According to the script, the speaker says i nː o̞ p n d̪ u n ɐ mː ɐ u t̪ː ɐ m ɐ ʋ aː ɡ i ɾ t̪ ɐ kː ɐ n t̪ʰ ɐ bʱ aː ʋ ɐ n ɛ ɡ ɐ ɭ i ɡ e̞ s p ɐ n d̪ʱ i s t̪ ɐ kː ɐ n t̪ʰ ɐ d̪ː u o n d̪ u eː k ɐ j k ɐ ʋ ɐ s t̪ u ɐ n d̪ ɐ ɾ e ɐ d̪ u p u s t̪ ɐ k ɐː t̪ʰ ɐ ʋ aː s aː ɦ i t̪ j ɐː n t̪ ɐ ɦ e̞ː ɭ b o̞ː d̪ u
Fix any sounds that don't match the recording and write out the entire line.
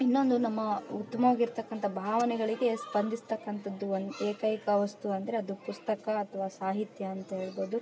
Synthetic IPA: i nː o̞ n d̪ u n ɐ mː ɐ u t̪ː ɐ m ɐ ʋ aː ɡ i ɾ t̪ ɐ kː ɐ n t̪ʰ ɐ bʱ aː ʋ ɐ n ɛ ɡ ɐ ɭ i ɡ e̞ s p ɐ n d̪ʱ i s t̪ ɐ kː ɐ n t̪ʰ ɐ d̪ː u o n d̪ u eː k ɐ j k ɐ ʋ ɐ s t̪ u ɐ n d̪ ɐ ɾ e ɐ d̪ u p u s t̪ ɐ k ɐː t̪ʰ ɐ ʋ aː s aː ɦ i t̪ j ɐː n t̪ ɐ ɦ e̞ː ɭ b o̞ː d̪ u

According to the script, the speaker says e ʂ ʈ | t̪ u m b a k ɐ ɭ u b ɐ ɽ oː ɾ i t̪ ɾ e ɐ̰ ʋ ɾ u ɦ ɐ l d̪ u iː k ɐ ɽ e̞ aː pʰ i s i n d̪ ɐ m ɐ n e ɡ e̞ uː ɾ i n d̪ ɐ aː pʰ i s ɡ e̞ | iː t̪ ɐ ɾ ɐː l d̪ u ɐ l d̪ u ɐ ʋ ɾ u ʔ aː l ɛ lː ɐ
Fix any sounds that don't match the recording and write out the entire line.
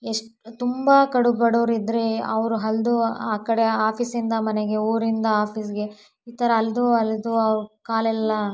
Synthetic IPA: e ʂ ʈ | t̪ u m b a k ɐ ɽ u b ɐ ɽ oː ɾ i d̪ ɾ e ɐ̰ ʋ ɾ u ɦ ɐ l d̪ u aː k ɐ ɽ e̞ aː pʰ i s i n d̪ ɐ m ɐ n e ɡ e̞ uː ɾ i n d̪ ɐ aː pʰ i s ɡ e̞ | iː t̪ ɐ ɾ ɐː l d̪ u ɐ l d̪ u ɐ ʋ ɾ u k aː l ɛ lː ɐ

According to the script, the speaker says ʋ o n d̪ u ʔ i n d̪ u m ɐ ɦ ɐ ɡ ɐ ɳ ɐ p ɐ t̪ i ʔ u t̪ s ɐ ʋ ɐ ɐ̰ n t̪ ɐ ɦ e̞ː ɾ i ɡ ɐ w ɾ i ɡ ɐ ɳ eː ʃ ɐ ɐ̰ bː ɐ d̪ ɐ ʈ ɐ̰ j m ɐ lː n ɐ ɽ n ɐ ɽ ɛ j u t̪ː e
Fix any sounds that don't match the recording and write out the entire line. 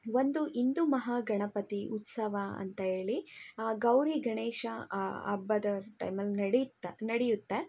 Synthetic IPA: ʋ o n d̪ u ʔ i n d̪ u m ɐ ɦ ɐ ɡ ɐ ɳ ɐ p ɐ t̪ i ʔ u t̪ s ɐ ʋ ɐ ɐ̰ n t̪ ɐ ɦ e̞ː ɭ i ɡ ɐ w ɾ i ɡ ɐ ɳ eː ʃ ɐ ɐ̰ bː ɐ d̪ ɐ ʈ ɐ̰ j m ɐ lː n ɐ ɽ n ɐ ɽ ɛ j u t̪ː e

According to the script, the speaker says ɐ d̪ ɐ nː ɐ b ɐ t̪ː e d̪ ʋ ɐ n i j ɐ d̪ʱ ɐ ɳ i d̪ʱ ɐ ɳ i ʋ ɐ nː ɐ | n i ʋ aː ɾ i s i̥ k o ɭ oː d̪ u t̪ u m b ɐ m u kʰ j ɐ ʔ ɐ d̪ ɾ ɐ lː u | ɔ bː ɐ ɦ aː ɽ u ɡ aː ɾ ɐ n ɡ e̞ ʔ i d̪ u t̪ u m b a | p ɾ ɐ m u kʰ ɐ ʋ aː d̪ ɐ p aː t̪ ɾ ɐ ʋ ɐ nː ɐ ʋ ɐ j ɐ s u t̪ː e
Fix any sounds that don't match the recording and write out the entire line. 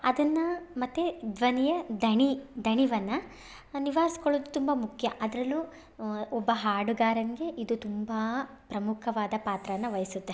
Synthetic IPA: ɐ d̪ ɐ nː ɐ m ɐ t̪ː e d̪ ʋ ɐ n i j ɐ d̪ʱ ɐ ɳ i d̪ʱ ɐ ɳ i ʋ ɐ nː ɐ | n i ʋ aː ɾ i s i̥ k o ɭ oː d̪ u t̪ u m b ɐ m u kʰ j ɐ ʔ ɐ d̪ ɾ ɐ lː u | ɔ bː ɐ ɦ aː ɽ u ɡ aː ɾ ɐ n ɡ e̞ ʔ i d̪ u t̪ u m b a | p ɾ ɐ m u kʰ ɐ ʋ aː d̪ ɐ p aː t̪ ɾ ɐ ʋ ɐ nː ɐ ʋ ɐ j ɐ s u t̪ː e

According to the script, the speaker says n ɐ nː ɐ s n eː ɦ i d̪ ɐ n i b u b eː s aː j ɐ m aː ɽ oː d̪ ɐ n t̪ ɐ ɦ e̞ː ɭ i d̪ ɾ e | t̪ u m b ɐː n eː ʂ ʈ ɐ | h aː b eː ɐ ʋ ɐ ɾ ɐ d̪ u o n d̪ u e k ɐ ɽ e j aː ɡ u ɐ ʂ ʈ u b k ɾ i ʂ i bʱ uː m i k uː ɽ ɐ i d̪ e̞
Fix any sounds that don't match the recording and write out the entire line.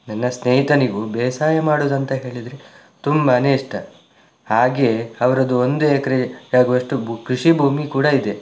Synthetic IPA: n ɐ nː ɐ s n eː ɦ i t̪ ɐ n i ɡ u b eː s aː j ɐ m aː ɽ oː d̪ ɐ n t̪ ɐ ɦ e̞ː ɭ i d̪ ɾ e | t̪ u m b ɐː n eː ʂ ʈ ɐ | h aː ɡ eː ɐ ʋ ɐ ɾ ɐ d̪ u o n d̪ u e k ɐ ɾ e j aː ɡ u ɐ ʂ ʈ u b k ɾ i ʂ i bʱ uː m i k uː ɽ ɐ i d̪ e̞

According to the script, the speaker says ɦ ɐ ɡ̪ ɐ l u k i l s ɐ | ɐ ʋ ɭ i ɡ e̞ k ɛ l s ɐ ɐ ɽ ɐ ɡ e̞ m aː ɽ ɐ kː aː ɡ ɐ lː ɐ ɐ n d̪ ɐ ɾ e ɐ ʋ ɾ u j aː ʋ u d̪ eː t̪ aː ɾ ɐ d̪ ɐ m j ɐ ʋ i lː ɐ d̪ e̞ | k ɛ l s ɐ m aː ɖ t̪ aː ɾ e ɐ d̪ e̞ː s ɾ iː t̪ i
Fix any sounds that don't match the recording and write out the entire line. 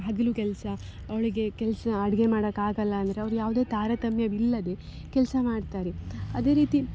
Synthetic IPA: ɦ ɐ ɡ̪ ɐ l u k ɛ l s ɐ | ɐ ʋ ɭ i ɡ e̞ k ɛ l s ɐ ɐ ɽ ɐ ɡ e̞ m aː ɽ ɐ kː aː ɡ ɐ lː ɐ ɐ n d̪ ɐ ɾ e ɐ ʋ ɾ u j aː ʋ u d̪ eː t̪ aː ɾ ɐ t̪ ɐ m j ɐ ʋ i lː ɐ d̪ e̞ | k ɛ l s ɐ m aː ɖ t̪ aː ɾ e ɐ d̪ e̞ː ɾ iː t̪ i

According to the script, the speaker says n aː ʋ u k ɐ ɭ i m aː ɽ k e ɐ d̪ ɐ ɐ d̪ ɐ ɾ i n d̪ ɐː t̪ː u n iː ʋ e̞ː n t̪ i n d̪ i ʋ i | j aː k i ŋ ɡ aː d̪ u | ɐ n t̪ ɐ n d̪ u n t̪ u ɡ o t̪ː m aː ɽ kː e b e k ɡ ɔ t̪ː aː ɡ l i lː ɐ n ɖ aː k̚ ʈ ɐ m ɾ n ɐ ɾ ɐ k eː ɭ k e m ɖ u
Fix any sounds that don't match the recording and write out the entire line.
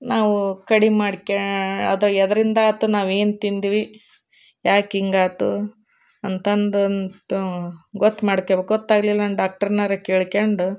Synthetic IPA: n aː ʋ u k ɐ ɽ i m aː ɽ k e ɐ d̪ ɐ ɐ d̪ ɐ ɾ i n d̪ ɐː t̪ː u n aː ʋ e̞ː n t̪ i n d̪ i ʋ i | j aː k i ŋ ɡ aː t̪ u | ɐ n t̪ ɐ n d̪ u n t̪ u ɡ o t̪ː m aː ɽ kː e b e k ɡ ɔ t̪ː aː ɡ l i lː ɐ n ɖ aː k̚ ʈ ɐ ɾ n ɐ ɾ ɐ k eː ɭ k e ɳ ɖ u

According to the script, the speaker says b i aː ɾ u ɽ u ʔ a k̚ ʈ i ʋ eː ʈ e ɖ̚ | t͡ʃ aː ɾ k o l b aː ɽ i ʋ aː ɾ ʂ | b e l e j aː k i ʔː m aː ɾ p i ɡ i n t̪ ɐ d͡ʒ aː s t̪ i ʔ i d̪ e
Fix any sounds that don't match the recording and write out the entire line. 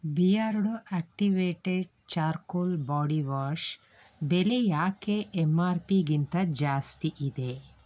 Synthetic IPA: b i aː ɾ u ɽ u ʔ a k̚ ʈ i ʋ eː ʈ e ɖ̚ | t͡ʃ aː ɾ k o l b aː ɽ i ʋ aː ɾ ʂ | b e l e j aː k e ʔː m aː ɾ p i ɡ i n t̪ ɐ d͡ʒ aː s t̪ i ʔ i d̪ e

